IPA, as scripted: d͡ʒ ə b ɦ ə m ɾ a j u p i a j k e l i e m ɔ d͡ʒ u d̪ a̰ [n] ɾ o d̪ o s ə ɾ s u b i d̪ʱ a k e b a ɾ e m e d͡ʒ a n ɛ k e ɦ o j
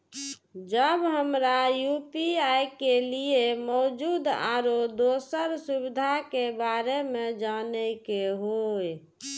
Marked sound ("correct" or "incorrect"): incorrect